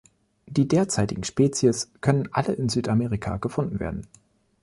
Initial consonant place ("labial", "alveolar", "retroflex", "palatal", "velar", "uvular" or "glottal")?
alveolar